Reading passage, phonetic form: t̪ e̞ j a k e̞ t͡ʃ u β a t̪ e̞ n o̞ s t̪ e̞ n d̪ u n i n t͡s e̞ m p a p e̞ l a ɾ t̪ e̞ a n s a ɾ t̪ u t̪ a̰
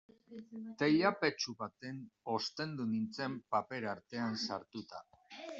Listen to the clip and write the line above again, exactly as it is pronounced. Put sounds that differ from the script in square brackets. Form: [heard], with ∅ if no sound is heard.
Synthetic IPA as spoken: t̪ e̞ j a [p] e̞ t͡ʃ u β a t̪ e̞ n o̞ s t̪ e̞ n d̪ u n i n t͡s e̞ m p a p e̞ [ɾ] a ɾ t̪ e̞ a n s a ɾ t̪ u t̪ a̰